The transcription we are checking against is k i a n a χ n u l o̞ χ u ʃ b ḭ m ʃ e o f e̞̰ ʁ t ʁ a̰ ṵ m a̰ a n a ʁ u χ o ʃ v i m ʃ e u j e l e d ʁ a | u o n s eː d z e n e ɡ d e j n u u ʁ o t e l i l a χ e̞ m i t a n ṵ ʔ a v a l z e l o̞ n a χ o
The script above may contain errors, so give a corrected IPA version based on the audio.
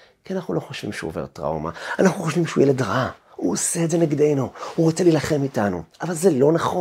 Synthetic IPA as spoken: k i a n a χ n u l o̞ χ o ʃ v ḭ m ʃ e o v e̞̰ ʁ t ʁ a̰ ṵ m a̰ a n a χ u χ o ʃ v i m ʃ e u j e l e d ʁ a | u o s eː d z e n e ɡ d e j n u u ʁ o t͡s e l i l a χ e̞ m i t a n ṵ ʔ a v a l z e l o̞ n a χ o